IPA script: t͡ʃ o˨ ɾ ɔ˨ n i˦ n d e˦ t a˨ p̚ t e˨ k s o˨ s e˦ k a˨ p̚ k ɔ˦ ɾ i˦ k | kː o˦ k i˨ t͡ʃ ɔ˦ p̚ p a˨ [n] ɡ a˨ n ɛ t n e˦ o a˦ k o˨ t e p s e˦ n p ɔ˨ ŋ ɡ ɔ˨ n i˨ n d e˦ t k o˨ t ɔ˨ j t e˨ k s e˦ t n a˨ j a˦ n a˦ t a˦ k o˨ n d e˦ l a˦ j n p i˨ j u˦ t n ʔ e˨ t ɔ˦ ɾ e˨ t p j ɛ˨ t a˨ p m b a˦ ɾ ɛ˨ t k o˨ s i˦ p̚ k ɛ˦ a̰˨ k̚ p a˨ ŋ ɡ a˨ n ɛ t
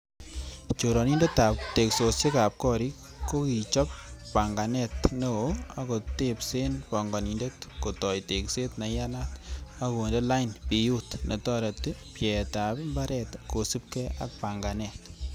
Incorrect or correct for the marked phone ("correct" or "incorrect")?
incorrect